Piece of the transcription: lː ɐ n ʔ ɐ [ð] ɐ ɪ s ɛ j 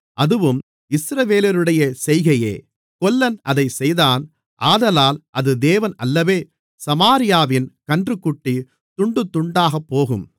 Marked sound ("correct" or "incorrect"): correct